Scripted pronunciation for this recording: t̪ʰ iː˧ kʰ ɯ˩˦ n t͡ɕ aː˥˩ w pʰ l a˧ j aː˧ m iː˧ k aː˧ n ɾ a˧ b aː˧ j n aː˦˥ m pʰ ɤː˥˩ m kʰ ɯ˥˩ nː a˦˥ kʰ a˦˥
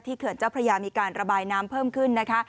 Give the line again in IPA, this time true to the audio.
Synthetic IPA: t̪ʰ iː˥˩ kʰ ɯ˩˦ n t͡ɕ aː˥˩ w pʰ ɾ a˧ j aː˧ m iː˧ k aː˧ n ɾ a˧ b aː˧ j n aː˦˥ m pʰ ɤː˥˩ m kʰ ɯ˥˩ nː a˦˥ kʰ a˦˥

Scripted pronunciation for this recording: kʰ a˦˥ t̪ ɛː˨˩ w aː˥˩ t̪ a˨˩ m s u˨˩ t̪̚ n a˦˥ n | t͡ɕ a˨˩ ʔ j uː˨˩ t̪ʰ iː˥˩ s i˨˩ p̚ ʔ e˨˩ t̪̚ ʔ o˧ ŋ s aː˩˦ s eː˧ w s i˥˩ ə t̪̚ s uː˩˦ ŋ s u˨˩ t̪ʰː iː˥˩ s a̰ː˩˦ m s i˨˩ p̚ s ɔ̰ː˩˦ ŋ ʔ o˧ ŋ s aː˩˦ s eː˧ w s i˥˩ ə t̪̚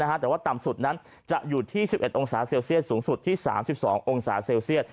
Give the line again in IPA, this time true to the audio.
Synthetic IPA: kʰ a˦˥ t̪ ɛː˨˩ w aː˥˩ t̪ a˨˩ m s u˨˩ t̪̚ n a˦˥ n | t͡ɕ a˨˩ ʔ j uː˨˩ t̪ʰ iː˥˩ s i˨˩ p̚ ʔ e˨˩ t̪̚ ʔ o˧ ŋ s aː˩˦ s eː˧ w s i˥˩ ə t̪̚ s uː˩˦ ŋ s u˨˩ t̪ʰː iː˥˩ s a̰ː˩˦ m s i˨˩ p̚ s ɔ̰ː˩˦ ŋ ʔ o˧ ŋ s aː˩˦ s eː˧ w s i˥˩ ə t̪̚

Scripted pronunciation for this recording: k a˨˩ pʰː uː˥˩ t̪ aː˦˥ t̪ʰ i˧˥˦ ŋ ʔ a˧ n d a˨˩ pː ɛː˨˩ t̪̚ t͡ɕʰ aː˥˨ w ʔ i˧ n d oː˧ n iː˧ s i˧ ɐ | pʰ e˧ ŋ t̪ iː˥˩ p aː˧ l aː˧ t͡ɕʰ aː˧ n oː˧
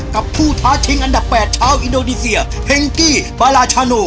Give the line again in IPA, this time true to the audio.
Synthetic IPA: k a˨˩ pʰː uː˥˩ t̪ʰ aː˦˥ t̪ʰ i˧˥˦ ŋ ʔ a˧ n d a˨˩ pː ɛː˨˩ t̪̚ t͡ɕʰ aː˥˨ w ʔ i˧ n d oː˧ n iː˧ s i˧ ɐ | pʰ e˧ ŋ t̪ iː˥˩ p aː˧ l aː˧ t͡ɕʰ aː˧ n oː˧

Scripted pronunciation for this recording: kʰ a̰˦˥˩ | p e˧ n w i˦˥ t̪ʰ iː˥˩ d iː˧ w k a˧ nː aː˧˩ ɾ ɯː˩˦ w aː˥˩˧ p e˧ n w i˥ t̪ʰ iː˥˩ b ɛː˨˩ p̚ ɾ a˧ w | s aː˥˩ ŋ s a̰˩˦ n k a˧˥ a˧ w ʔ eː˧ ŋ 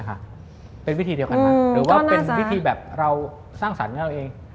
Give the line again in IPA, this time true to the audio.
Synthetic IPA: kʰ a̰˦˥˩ | p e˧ n w i˦˥ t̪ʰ iː˧ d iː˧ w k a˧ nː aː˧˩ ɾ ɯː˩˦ w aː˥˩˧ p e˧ n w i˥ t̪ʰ iː˧ b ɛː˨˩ p̚ ɾ a˧ w | s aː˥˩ ŋ s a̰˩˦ n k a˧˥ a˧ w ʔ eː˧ ŋ

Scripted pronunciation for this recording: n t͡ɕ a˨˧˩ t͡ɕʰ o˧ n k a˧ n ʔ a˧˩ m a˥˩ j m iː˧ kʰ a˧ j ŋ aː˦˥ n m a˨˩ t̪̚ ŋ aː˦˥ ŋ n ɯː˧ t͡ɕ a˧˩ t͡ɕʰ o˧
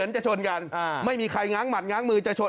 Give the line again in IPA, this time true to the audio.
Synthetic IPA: n t͡ɕ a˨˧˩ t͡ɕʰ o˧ n k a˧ n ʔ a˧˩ m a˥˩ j m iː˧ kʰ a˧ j ŋ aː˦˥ ŋ m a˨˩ t̪̚ ŋ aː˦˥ ŋ m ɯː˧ t͡ɕ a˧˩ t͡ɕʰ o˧

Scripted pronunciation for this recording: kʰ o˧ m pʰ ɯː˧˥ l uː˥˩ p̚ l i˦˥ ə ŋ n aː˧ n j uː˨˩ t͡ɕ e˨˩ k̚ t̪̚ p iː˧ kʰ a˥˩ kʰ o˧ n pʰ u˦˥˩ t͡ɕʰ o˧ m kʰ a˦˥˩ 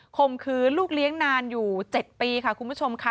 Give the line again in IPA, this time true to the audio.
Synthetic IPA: kʰ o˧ m kʰ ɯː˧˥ l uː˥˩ k̚ l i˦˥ ə ŋ n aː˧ n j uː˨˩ t͡ɕ e˨˩ t̪̚ p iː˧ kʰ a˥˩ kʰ u˧ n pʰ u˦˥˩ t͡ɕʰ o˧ m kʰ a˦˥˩

